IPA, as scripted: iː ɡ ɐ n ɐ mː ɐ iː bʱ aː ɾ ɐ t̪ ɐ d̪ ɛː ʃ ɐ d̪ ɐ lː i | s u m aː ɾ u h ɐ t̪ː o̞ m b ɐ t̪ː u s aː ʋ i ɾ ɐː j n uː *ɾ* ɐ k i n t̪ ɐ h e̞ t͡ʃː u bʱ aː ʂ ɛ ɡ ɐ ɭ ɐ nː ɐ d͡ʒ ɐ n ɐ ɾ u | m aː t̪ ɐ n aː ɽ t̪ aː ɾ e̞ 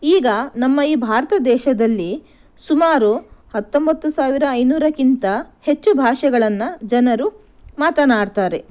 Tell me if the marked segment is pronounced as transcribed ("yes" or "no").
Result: yes